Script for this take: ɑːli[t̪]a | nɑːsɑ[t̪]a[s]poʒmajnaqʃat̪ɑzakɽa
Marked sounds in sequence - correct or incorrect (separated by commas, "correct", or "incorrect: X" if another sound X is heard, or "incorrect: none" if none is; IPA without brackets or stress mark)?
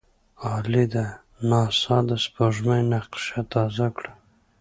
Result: incorrect: d̪, incorrect: d̪, correct